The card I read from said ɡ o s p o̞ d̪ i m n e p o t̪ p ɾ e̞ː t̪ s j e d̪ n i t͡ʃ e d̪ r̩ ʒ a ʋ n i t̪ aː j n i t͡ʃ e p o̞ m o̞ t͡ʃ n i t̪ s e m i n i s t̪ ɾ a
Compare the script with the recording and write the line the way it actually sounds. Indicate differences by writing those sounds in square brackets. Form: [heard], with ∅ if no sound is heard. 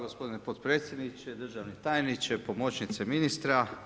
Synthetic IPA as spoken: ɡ o s p o̞ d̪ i [∅] n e p o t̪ p ɾ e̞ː t̪ s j e d̪ n i t͡ʃ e d̪ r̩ ʒ a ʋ n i t̪ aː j n i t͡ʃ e p o̞ m o̞ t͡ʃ n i t̪ s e m i n i s t̪ ɾ a